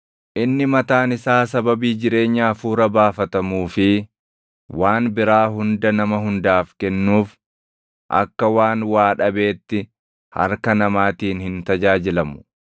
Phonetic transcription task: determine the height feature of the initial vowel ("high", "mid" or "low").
high